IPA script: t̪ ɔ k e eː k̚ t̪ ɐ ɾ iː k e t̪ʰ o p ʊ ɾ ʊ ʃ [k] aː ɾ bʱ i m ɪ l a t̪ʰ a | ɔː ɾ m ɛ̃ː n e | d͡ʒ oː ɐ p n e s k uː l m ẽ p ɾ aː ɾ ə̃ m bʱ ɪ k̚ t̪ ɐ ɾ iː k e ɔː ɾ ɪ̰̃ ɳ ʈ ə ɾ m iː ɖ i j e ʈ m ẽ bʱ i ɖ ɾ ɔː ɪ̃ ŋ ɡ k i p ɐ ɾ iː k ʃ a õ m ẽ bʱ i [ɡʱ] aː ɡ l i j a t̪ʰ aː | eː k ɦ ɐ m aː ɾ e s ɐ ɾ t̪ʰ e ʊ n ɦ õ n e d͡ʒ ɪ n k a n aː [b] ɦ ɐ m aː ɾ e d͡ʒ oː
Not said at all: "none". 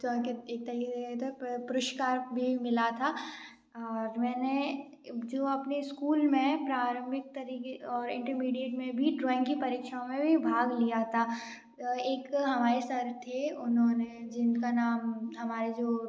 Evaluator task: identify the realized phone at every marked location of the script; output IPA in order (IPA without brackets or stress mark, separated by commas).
k, bʱ, m